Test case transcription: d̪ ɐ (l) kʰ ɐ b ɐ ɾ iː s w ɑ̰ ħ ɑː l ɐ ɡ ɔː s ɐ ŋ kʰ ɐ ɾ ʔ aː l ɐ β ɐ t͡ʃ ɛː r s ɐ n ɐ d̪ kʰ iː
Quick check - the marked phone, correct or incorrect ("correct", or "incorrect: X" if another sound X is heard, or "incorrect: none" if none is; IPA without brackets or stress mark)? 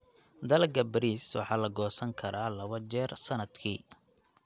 correct